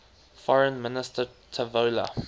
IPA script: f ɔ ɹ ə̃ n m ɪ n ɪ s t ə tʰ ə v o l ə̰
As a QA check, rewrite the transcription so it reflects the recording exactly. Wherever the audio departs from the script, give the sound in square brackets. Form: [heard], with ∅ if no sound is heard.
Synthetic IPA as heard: f ɔ ɹ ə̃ n m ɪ n ɪ s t ə tʰ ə v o l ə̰